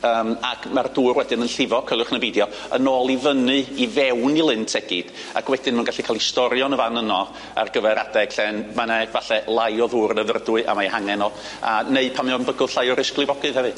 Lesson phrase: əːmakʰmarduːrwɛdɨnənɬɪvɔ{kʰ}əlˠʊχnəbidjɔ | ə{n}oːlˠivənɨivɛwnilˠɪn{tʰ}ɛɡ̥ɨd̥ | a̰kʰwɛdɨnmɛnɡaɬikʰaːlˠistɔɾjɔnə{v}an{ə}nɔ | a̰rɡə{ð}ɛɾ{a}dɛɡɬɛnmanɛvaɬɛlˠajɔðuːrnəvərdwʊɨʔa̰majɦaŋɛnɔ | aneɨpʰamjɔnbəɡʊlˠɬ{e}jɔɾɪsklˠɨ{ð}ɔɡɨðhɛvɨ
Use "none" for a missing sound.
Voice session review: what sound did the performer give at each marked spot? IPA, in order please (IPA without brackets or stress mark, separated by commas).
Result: kʰ, n, tʰ, v, ə, v, a, a, v